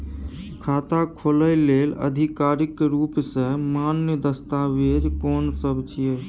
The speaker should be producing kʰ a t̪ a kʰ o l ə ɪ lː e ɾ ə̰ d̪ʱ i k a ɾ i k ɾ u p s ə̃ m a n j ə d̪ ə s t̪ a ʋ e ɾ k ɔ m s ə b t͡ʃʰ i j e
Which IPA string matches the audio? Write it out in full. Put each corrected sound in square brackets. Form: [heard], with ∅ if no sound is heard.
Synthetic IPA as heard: kʰ a t̪ a kʰ o l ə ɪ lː e [l] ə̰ d̪ʱ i k a ɾ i k ɾ u p s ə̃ m a n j ə d̪ ə s t̪ a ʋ e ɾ k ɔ [n] s ə b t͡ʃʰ i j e